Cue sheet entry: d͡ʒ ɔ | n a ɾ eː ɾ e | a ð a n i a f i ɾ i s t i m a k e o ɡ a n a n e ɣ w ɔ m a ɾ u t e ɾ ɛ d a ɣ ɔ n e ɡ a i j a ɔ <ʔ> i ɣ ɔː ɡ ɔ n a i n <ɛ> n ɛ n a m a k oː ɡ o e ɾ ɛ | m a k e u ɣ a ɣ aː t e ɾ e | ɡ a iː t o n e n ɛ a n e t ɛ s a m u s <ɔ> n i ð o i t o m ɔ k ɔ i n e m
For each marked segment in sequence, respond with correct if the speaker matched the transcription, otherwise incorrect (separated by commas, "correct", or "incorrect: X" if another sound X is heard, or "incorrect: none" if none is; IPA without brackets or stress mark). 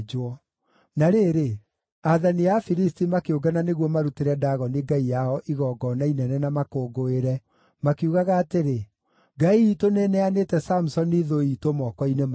correct, correct, correct